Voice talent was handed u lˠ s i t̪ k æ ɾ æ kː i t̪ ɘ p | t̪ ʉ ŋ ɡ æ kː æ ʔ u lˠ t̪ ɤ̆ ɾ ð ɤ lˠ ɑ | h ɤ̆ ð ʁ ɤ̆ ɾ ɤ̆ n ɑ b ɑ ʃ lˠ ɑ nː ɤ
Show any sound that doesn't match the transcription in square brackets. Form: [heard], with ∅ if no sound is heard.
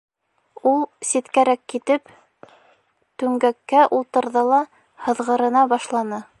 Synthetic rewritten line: u lˠ s i t̪ k æ ɾ æ kː i t̪ ɘ p | t̪ ʉ ŋ ɡ æ kː æ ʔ u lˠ t̪ ɤ̆ ɾ ð ɤ lˠ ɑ | h ɤ̆ ð ʁ ɤ̆ ɾ ɤ̆ n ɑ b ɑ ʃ lˠ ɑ [n] ɤ